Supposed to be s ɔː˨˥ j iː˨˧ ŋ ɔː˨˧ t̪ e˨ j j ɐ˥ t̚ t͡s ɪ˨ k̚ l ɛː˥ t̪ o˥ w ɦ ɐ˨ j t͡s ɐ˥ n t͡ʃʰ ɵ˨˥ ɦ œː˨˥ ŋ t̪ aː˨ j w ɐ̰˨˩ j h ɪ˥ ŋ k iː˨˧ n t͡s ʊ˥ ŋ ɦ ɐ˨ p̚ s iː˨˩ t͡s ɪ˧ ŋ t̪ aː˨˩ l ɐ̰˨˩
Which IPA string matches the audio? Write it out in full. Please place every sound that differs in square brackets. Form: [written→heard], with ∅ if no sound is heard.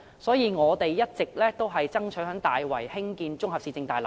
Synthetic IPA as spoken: s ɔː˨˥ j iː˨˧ ŋ ɔː˨˧ t̪ e˨ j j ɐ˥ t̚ t͡s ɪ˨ k̚ l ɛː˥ t̪ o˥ w ɦ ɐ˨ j t͡s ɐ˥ [n→ŋ] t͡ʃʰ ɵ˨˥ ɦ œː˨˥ ŋ t̪ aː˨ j w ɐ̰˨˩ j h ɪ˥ ŋ k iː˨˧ n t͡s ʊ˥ ŋ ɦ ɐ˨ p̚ s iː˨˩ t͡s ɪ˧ ŋ t̪ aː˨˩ l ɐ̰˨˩